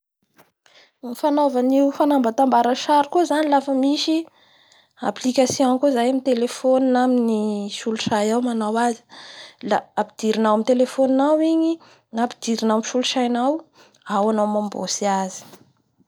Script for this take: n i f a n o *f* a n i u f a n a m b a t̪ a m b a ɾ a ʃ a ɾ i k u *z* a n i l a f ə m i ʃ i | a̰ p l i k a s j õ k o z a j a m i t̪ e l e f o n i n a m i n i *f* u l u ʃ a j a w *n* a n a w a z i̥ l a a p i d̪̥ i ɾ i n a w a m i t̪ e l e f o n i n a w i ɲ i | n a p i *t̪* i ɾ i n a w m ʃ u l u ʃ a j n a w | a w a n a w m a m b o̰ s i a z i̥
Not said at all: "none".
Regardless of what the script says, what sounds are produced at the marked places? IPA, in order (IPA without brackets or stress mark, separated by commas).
v, z, ʃ, m, d̪